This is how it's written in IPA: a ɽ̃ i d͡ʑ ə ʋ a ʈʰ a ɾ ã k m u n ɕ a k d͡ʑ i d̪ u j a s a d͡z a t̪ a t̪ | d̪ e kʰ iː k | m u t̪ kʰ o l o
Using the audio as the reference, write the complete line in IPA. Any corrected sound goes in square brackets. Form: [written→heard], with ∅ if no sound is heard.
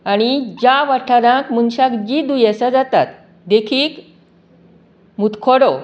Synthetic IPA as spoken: a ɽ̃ i d͡ʑ [ə→a] ʋ a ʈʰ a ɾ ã k m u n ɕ a k d͡ʑ i d̪ u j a s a d͡z a t̪ a t̪ | d̪ e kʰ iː k | m u t̪ kʰ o [l→ɽ] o